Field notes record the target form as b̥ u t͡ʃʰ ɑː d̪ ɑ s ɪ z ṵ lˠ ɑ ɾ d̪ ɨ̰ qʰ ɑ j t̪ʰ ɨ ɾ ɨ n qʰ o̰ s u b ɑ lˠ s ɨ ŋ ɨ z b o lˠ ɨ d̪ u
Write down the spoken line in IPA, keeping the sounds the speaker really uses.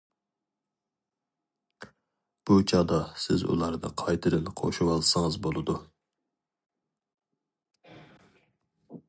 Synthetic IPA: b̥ u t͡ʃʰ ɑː d̪ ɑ s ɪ z ṵ lˠ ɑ ɾ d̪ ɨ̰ qʰ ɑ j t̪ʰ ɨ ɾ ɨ n qʰ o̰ ʃ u w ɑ lˠ s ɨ ŋ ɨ z b o lˠ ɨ d̪ u